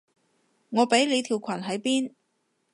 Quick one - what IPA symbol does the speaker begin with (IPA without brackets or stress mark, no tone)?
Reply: ŋ